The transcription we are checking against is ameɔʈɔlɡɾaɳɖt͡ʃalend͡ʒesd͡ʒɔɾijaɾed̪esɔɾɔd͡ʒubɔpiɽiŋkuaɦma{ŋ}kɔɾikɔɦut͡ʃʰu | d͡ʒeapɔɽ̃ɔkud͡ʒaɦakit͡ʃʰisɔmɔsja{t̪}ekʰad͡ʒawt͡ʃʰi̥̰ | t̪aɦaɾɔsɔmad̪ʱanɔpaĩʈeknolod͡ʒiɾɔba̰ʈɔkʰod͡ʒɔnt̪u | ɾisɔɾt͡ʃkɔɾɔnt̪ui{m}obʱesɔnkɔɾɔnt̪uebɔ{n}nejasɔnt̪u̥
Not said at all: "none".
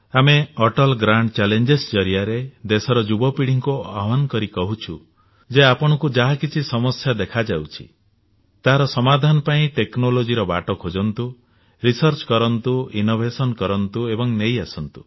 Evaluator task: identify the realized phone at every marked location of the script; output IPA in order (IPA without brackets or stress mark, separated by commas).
n, d̪, n, ŋ